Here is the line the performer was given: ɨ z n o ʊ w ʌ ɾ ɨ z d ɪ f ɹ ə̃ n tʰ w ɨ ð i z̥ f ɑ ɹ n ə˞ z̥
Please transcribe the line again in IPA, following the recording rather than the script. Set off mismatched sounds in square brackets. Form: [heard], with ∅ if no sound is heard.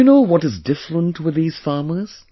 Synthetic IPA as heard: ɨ [∅] n o ʊ w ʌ ɾ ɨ z d ɪ f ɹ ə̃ n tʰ w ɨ ð i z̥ f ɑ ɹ [m] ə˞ z̥